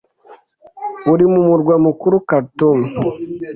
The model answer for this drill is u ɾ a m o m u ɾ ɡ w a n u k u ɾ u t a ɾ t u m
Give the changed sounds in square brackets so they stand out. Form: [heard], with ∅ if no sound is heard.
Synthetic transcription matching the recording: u ɾ [i] m [u] m u ɾ ɡ w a [m] u k u ɾ u [k] a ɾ t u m